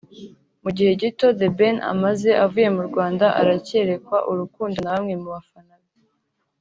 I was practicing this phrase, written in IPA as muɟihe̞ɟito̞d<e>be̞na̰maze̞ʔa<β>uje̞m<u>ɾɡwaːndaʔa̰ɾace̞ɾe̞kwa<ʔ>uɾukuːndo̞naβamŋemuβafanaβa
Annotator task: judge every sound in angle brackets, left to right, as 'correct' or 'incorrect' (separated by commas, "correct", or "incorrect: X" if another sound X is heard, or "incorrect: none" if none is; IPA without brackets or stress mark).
correct, incorrect: v, correct, correct